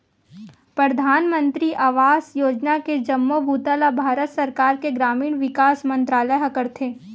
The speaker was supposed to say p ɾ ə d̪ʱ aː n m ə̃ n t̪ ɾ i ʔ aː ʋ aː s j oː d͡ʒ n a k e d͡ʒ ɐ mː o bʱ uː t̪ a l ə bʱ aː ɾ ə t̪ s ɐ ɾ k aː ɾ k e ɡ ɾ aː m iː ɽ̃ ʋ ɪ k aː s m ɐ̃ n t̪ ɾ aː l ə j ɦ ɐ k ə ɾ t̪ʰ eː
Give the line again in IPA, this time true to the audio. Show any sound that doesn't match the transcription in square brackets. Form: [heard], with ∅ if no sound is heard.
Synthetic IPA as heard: p ɾ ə d̪ʱ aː n m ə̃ n t̪ ɾ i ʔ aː ʋ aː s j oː d͡ʒ n a k e d͡ʒ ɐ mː o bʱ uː t̪ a l [a] bʱ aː ɾ ə t̪ s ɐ ɾ k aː ɾ k e ɡ ɾ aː m iː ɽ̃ ʋ ɪ k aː s m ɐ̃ n t̪ ɾ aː l ə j ɦ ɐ k ə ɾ t̪ʰ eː